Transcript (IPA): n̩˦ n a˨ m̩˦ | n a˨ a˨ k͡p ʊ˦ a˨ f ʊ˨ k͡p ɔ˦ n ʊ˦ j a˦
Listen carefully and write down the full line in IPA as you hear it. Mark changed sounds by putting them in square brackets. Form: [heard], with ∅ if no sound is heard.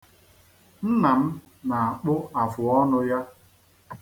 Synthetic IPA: n̩˦ n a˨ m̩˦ | n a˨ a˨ k͡p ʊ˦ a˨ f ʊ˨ [∅] ɔ˦ n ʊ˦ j a˦